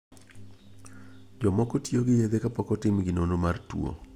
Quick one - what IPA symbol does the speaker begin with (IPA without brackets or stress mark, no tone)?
d͡ʒ